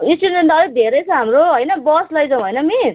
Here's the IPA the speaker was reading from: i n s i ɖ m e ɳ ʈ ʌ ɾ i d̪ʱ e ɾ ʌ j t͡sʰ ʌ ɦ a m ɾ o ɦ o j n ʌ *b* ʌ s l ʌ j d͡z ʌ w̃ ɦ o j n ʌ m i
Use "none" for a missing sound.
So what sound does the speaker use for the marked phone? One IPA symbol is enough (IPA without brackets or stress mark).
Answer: b